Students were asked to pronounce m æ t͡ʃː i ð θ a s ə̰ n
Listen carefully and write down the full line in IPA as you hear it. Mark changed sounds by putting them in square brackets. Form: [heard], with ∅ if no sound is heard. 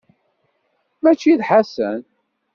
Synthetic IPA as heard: m æ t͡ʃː i ð [ħ] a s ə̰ n